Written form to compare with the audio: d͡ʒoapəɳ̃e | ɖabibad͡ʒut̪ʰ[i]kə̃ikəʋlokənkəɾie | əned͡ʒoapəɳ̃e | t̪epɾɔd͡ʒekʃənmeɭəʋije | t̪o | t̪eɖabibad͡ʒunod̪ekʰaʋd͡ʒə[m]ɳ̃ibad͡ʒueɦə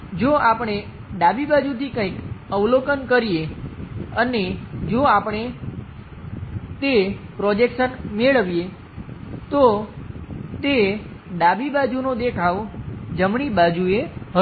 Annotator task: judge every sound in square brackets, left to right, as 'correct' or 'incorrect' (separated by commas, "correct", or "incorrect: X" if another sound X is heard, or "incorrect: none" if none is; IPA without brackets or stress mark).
correct, correct